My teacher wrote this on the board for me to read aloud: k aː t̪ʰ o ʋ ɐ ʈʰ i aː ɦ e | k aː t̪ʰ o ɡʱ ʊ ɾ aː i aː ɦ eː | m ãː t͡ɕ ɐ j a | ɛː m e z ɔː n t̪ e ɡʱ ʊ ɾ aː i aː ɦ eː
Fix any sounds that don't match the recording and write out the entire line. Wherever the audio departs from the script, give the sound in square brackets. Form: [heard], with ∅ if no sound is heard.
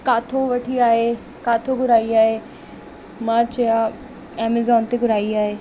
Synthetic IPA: k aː t̪ʰ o ʋ ɐ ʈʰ i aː ɦ e | k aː t̪ʰ o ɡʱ ʊ ɾ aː i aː ɦ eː | m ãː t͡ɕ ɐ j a | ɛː m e z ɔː n t̪ e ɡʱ ʊ ɾ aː i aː ɦ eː